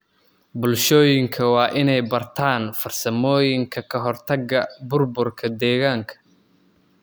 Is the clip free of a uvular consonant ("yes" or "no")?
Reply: yes